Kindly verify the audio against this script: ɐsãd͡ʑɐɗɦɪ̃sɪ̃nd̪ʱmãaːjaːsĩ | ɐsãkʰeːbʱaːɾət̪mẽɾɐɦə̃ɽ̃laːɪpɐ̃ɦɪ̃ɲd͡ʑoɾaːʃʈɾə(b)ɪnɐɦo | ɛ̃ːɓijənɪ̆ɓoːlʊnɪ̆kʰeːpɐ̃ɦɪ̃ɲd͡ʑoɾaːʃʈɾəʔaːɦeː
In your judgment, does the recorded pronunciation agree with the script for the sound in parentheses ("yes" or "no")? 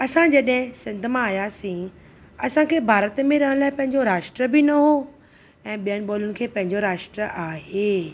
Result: yes